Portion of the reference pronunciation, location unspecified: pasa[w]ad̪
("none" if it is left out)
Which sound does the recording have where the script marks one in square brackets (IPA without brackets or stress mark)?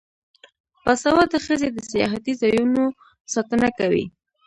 w